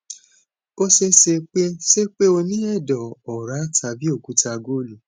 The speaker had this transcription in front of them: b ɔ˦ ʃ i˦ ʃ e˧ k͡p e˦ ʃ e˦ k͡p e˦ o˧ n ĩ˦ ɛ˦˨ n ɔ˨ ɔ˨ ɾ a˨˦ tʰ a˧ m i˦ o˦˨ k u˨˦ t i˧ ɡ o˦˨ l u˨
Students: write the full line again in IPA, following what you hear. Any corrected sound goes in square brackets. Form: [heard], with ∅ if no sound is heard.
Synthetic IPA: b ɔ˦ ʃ [e˦] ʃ e˧ k͡p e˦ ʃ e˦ k͡p e˦ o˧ n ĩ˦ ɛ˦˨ [d] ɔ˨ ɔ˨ ɾ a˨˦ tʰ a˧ [b] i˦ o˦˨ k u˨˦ t [a˧] ɡ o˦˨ l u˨